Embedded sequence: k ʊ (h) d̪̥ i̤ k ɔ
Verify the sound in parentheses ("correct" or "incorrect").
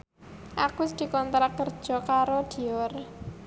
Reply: incorrect